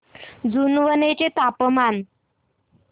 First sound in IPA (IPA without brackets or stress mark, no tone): d͡z